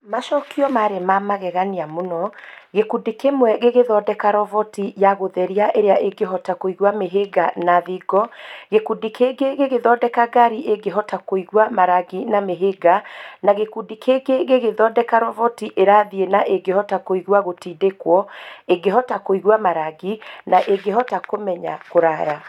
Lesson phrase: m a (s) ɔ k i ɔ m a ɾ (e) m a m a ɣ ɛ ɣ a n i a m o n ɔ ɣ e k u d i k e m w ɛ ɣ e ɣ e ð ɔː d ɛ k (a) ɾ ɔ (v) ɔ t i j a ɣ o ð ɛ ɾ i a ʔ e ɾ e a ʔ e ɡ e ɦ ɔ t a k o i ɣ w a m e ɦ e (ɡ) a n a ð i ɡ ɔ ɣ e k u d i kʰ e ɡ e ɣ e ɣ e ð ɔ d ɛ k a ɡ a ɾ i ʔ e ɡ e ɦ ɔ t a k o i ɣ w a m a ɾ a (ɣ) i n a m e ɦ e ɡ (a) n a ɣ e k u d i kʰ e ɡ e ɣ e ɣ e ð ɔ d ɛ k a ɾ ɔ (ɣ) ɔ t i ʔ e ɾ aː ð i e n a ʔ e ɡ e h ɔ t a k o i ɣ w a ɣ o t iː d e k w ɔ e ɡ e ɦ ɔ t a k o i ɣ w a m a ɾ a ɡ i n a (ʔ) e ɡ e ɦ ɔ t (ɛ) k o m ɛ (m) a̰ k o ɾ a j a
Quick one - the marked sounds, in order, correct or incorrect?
incorrect: ʃ, correct, correct, correct, correct, correct, correct, incorrect: v, correct, incorrect: a, incorrect: ɲ

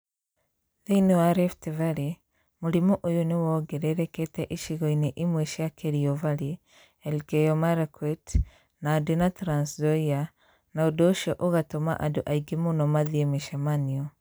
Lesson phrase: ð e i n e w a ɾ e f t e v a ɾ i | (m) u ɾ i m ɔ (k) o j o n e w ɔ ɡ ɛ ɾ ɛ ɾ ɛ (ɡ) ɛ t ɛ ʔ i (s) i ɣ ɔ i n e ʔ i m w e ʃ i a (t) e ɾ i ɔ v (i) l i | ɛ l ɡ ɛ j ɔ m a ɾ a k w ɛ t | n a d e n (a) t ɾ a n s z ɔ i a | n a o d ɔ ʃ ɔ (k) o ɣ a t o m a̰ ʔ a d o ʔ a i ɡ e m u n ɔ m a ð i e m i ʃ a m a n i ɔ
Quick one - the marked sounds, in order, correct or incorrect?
correct, incorrect: ʔ, incorrect: k, incorrect: ʃ, incorrect: k, incorrect: a, correct, incorrect: ʔ

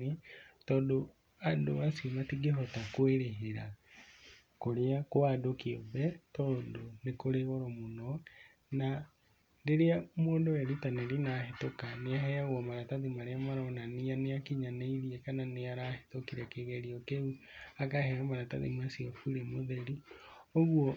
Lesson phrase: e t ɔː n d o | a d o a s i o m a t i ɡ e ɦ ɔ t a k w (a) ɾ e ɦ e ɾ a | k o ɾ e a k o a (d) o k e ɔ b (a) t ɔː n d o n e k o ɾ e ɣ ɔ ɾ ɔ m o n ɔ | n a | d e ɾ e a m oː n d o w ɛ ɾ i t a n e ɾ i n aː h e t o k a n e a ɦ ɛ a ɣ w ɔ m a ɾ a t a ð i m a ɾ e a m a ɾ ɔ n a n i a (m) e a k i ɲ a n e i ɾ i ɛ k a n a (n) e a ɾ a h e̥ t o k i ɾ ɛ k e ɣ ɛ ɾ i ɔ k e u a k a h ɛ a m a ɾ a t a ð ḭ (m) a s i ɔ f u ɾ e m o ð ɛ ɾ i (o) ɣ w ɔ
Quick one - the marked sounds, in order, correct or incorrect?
incorrect: e, correct, incorrect: ɛ, incorrect: n, correct, correct, correct

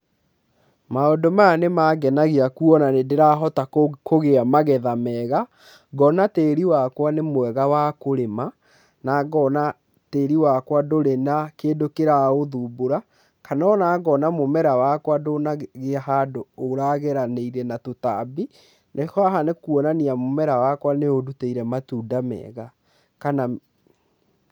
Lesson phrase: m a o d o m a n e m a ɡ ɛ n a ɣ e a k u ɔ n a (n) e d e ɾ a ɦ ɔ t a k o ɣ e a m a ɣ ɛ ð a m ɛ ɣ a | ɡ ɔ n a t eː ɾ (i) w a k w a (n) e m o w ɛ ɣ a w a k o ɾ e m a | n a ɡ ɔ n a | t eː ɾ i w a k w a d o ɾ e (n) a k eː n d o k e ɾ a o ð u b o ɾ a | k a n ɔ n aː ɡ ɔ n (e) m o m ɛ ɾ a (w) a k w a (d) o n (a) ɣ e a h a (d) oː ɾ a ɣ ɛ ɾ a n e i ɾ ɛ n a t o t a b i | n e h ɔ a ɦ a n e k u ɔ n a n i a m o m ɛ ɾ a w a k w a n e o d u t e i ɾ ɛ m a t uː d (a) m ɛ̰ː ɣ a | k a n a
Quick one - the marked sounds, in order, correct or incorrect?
correct, correct, correct, correct, incorrect: a, correct, correct, correct, correct, correct

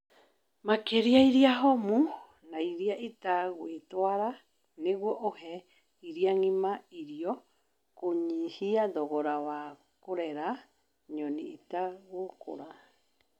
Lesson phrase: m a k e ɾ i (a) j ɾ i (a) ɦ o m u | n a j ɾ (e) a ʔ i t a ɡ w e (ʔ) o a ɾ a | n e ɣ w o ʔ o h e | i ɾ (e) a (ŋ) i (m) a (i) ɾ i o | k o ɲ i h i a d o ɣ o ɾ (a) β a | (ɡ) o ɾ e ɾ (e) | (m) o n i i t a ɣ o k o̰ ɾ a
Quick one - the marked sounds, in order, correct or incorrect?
correct, correct, incorrect: i, incorrect: t, incorrect: i, correct, correct, correct, correct, incorrect: k, incorrect: a, incorrect: ɲ

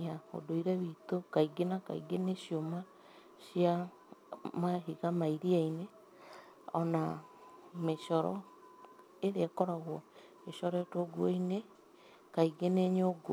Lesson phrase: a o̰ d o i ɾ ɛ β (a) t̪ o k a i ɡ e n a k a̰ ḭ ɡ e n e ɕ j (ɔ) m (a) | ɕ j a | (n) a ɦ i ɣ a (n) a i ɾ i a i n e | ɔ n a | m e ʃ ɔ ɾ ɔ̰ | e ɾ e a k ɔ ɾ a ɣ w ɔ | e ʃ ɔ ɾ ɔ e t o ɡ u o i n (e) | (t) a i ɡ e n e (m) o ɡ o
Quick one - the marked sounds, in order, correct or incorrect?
incorrect: i, incorrect: o, correct, incorrect: m, incorrect: m, correct, incorrect: k, incorrect: ɲ

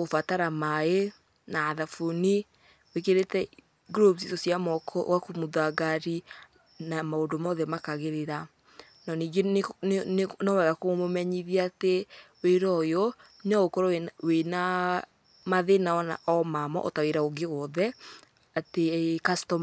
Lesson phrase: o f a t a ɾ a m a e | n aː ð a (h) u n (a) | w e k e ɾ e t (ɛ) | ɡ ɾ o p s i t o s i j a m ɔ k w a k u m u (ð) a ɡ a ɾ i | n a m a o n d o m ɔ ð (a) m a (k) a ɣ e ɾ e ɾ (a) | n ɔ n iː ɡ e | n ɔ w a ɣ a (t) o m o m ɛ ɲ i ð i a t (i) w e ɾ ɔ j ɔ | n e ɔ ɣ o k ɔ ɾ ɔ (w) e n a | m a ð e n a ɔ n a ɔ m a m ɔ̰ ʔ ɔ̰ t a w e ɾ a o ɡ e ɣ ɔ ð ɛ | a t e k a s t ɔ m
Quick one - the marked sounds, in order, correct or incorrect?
incorrect: f, incorrect: i, correct, correct, incorrect: ɛ, correct, correct, incorrect: k, incorrect: e, correct

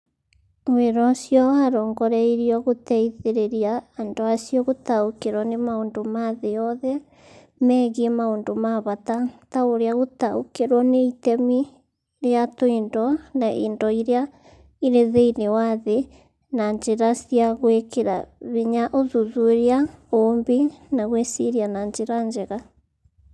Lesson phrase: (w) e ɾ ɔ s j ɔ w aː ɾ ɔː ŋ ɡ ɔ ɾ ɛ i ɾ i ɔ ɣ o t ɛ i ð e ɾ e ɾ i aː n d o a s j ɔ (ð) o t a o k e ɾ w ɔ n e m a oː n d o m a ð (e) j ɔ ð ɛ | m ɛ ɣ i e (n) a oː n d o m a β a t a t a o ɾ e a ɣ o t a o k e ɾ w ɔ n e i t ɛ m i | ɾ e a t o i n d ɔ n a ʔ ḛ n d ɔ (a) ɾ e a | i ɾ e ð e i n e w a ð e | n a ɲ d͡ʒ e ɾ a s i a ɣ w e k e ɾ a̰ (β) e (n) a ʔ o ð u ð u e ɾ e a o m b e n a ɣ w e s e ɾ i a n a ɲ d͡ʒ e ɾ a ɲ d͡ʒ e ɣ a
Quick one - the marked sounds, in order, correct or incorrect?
correct, incorrect: ɣ, correct, incorrect: m, incorrect: i, correct, incorrect: ɲ

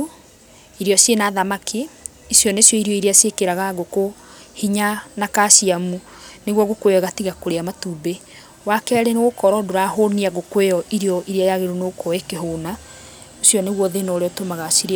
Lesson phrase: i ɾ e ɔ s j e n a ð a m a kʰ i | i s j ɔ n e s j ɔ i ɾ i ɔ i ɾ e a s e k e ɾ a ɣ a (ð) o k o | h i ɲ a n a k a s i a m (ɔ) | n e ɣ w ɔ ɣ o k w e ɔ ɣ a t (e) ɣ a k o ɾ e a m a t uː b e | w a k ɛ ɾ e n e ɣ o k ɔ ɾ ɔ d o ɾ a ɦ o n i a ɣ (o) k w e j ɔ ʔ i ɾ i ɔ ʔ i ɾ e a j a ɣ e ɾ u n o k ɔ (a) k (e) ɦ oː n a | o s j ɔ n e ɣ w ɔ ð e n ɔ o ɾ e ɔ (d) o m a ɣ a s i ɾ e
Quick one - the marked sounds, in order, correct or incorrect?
incorrect: ɣ, incorrect: u, incorrect: i, correct, incorrect: e, correct, incorrect: t

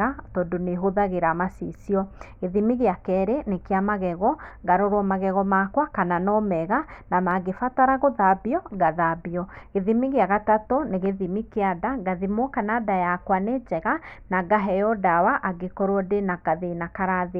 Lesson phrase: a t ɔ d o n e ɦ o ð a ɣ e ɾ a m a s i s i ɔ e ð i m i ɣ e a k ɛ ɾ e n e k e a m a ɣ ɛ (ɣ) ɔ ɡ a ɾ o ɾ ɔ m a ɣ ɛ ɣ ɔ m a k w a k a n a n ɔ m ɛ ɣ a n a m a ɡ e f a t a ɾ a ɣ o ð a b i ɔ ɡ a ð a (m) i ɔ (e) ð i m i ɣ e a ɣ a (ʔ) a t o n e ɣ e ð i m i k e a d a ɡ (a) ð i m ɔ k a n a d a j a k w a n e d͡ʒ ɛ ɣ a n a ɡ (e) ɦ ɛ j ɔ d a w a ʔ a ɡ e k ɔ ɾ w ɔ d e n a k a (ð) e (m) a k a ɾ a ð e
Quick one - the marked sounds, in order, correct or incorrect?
correct, incorrect: b, correct, incorrect: t, correct, incorrect: a, correct, incorrect: n

